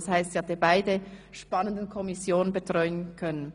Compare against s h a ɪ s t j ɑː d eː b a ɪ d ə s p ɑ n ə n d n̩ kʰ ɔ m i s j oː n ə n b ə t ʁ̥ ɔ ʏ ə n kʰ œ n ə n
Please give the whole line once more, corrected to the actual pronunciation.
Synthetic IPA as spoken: s h a ɪ s t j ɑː d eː b a ɪ d ə ʃ p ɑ n ə n d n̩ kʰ ɔ m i s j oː n ə n b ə t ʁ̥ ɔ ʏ ə n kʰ œ n ə n